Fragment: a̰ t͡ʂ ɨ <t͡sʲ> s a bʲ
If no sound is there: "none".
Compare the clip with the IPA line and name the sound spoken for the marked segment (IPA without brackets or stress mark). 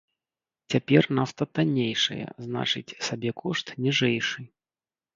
t͡sʲ